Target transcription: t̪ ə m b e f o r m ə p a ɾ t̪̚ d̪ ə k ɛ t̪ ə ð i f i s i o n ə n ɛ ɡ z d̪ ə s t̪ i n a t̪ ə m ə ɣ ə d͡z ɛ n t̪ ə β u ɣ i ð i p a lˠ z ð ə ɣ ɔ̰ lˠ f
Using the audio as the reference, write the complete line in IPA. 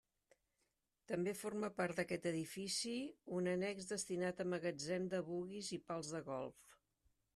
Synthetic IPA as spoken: t̪ ə m b e f o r m ə p a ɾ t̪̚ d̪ ə k ɛ t̪ ə ð i f i s i u n ə n ɛ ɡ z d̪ ə s t̪ i n a t̪ ə m ə ɣ ə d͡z ɛ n d̪ ə β u ɣ i z i p a lˠ z ð ə ɣ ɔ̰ lˠ f